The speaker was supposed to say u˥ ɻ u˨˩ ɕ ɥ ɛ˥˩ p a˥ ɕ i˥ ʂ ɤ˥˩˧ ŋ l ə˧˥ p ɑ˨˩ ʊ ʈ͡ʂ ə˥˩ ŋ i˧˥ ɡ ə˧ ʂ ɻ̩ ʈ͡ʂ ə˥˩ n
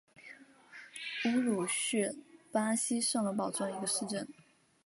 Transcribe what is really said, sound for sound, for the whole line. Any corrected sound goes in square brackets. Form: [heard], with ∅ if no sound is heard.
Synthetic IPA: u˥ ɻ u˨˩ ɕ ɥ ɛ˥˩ p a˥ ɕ i˥ ʂ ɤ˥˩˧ ŋ l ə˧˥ p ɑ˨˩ ʊ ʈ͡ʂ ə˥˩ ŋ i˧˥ ɡ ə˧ ʂ ɻ̩ ʈ͡ʂ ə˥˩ n